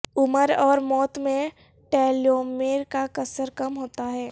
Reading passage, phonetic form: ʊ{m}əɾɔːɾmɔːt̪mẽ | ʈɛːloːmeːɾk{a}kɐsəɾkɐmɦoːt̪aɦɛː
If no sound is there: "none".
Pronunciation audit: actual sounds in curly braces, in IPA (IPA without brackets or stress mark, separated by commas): m, a